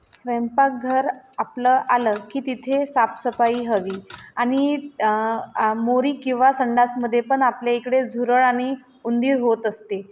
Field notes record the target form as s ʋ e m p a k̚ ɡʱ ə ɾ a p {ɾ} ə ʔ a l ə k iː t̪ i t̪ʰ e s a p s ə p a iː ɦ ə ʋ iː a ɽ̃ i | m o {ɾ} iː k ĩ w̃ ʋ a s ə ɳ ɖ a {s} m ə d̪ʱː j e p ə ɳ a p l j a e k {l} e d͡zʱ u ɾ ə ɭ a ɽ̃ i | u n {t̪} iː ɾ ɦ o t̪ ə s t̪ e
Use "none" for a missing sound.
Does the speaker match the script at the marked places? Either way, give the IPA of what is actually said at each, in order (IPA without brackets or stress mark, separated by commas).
l, ɾ, s, ɽ, d̪